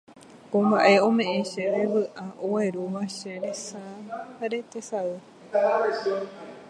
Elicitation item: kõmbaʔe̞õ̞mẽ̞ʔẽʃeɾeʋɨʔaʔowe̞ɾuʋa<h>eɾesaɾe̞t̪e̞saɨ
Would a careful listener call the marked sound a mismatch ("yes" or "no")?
yes